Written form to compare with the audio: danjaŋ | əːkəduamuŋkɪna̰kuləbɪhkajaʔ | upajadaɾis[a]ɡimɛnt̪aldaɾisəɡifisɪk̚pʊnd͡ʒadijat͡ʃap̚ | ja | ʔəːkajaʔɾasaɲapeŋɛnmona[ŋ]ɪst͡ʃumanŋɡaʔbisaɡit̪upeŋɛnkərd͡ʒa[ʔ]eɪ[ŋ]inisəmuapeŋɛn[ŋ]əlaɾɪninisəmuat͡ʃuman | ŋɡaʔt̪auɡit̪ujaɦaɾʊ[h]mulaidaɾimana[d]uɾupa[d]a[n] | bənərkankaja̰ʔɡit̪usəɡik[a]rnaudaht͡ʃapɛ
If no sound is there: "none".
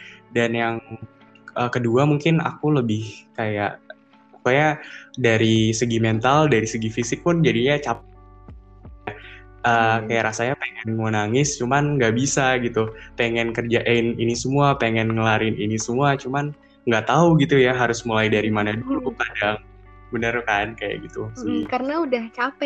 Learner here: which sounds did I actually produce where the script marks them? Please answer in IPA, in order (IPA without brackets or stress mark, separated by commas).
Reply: ə, ŋ, ʔ, n, ŋ, s, d, d, ŋ, a